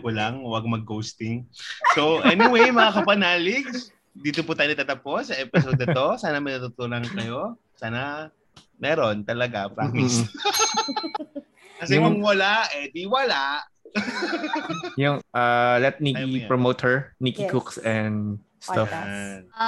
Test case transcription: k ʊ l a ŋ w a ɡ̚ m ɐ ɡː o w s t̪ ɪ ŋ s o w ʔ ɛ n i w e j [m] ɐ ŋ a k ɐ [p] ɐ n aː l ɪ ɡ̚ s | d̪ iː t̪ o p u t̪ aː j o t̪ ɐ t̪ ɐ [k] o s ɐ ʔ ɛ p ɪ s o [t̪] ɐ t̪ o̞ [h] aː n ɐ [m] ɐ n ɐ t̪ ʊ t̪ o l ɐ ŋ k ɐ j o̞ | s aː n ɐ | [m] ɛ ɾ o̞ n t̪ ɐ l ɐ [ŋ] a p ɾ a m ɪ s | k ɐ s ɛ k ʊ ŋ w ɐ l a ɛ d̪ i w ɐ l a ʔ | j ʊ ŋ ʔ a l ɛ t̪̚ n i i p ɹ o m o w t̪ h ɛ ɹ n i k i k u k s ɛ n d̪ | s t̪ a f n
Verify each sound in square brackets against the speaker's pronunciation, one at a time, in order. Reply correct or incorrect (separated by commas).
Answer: correct, correct, incorrect, incorrect, incorrect, correct, correct, incorrect